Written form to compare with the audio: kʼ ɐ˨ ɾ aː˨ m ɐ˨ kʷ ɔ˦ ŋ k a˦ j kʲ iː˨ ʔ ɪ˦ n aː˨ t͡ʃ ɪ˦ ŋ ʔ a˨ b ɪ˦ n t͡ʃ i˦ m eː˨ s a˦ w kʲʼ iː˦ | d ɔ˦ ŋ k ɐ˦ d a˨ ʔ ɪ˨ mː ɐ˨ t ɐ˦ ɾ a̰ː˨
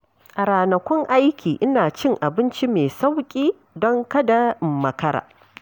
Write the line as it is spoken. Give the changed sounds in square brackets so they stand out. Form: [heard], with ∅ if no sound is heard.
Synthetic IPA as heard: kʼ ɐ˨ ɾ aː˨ [n] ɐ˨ kʷ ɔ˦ ŋ [ʔ] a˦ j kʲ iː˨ ʔ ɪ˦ n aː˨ t͡ʃ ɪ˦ ŋ ʔ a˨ b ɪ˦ n t͡ʃ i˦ m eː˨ s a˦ w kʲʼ iː˦ | d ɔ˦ ŋ k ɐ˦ d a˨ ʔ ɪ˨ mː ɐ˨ [k] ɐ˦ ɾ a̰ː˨